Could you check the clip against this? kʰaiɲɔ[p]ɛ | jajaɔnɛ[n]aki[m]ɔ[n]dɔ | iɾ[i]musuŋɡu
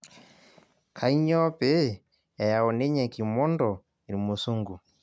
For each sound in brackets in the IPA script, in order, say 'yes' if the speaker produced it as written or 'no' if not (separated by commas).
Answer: yes, no, yes, yes, yes